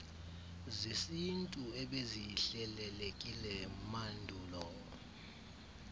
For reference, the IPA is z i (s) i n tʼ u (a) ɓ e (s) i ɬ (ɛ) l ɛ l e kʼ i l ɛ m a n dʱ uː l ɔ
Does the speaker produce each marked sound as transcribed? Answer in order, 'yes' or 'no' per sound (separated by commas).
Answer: yes, no, no, yes